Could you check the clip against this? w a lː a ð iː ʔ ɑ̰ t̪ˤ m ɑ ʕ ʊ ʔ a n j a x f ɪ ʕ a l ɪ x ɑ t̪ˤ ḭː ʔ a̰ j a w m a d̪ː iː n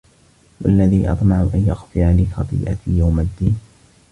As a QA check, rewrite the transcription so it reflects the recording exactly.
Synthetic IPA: w a lː a ð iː ʔ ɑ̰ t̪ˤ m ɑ ʕ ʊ ʔ a n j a x f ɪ ʕ a l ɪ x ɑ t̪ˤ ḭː ʔ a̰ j a w m a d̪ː iː n